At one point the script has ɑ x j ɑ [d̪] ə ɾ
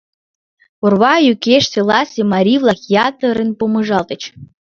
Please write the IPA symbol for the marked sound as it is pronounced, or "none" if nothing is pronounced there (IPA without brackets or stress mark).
t̪